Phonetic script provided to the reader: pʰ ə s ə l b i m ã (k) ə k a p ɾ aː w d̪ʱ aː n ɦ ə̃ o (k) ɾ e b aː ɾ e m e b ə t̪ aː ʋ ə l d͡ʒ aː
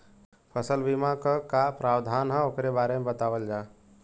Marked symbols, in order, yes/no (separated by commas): yes, yes